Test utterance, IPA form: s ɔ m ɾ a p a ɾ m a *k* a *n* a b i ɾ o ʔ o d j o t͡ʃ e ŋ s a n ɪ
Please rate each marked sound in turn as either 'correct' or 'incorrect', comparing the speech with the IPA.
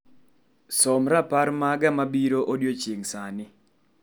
incorrect: ɡ, incorrect: m

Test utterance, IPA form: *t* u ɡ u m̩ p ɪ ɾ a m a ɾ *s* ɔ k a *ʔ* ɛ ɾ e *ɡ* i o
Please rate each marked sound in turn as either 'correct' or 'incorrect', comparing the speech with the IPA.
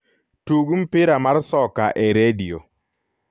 correct, correct, correct, incorrect: d

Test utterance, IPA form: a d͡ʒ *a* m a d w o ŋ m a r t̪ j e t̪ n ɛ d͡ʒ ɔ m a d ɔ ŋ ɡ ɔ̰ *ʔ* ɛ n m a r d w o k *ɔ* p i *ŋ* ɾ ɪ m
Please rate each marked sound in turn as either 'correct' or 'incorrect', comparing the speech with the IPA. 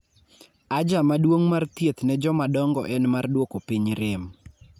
correct, correct, incorrect: o, incorrect: ɲ

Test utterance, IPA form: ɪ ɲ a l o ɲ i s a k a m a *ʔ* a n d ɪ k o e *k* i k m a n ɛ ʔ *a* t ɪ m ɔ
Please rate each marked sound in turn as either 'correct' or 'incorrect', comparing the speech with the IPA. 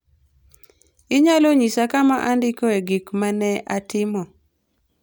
correct, incorrect: ɡ, correct

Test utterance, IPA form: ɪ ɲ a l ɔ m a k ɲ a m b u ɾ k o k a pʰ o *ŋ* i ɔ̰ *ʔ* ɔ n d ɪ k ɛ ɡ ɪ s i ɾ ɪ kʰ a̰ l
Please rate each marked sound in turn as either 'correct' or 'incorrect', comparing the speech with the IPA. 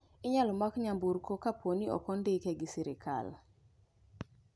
incorrect: n, incorrect: k

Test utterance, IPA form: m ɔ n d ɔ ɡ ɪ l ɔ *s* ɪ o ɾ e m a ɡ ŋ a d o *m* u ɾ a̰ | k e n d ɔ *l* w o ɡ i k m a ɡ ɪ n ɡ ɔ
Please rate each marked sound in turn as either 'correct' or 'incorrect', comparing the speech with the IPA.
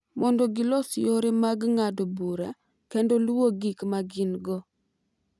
correct, incorrect: b, correct

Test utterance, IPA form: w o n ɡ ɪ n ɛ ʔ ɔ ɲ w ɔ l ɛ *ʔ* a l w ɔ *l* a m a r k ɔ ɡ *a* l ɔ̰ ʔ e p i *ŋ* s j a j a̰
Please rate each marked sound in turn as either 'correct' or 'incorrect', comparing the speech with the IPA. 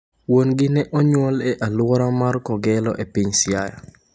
correct, incorrect: ɾ, incorrect: ɛ, incorrect: ɲ

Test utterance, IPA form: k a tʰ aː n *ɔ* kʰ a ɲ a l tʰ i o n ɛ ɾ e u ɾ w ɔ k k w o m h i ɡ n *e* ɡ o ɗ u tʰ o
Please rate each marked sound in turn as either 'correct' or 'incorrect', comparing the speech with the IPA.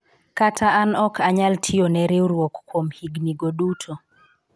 correct, incorrect: i

